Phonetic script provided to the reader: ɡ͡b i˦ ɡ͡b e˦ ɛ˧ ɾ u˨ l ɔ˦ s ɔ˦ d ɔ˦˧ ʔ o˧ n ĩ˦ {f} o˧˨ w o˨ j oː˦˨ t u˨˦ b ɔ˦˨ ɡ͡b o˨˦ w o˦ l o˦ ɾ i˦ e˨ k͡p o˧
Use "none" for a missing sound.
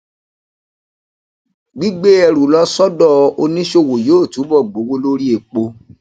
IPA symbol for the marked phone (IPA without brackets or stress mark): ʃ